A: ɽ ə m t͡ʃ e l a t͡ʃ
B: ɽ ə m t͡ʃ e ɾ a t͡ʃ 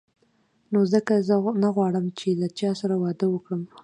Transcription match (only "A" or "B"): A